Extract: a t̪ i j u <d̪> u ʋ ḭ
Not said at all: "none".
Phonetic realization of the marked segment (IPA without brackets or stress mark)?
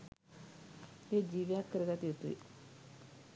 t̪